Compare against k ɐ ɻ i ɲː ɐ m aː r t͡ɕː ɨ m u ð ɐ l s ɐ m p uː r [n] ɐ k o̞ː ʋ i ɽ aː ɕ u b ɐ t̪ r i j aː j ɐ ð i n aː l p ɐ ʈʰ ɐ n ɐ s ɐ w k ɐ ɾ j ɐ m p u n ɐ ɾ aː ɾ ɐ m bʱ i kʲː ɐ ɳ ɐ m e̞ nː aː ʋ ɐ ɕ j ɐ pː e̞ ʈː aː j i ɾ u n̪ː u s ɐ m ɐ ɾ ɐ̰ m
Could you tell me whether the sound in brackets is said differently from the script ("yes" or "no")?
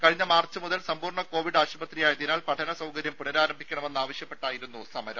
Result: yes